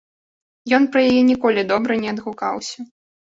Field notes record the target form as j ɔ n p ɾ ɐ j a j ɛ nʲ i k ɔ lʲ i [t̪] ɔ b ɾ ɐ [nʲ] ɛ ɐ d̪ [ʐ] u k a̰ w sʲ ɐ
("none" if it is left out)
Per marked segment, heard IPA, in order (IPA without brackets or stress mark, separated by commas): d̪, nʲ, ɣ